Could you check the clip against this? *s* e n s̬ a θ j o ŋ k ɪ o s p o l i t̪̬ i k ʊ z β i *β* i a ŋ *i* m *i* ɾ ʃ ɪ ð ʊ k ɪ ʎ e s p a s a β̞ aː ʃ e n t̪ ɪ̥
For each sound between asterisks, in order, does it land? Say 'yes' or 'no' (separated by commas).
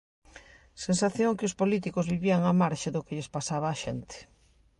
yes, yes, no, no